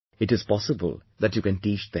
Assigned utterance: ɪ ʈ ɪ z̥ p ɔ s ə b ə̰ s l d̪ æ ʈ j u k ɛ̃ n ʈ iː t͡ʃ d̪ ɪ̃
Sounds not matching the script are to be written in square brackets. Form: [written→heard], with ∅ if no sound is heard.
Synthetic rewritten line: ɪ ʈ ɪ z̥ p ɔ s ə b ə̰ [s→∅] l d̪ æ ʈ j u k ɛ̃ n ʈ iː t͡ʃ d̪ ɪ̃

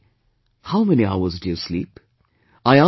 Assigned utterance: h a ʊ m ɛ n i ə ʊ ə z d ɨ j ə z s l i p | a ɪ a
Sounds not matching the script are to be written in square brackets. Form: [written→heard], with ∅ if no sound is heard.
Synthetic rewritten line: h a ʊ m ɛ n i [ə→a] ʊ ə z d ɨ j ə [z→∅] s l i p | a ɪ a

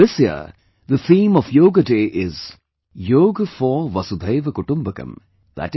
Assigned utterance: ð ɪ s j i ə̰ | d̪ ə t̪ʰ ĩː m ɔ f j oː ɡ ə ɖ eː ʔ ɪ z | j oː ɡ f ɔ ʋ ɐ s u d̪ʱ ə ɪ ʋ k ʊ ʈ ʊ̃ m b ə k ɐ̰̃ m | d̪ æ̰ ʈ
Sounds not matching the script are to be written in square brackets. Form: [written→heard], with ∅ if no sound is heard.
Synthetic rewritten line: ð ɪ s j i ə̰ | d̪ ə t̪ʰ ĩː m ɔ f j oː ɡ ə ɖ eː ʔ ɪ z | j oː ɡ f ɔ ʋ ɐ s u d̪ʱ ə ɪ ʋ k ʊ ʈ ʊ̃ m b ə k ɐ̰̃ m | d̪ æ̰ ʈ

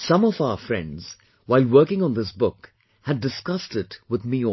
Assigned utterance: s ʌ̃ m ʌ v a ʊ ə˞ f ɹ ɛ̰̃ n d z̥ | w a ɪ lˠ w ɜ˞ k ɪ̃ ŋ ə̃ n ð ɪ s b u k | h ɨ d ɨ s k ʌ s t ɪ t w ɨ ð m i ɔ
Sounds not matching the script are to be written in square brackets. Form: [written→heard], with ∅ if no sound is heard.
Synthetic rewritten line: s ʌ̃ m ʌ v a ʊ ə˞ f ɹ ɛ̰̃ n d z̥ | w a ɪ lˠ w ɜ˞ k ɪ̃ ŋ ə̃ n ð ɪ s b [u→ʊ] k | h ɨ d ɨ s k ʌ s t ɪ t w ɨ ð m i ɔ

